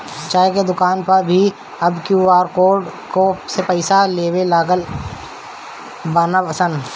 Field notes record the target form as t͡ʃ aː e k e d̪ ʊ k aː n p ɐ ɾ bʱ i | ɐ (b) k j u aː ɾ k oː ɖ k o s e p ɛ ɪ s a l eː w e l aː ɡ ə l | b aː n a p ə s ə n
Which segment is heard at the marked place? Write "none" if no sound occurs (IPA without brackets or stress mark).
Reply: b